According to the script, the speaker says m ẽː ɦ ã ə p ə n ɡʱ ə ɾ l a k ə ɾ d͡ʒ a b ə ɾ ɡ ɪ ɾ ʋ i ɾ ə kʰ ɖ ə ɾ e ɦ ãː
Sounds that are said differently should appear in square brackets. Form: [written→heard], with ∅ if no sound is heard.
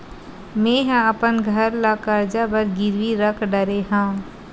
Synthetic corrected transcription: m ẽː ɦ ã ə p ə n ɡʱ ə ɾ l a k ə ɾ d͡ʒ a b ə ɾ ɡ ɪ ɾ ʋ i ɾ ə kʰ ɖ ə ɾ e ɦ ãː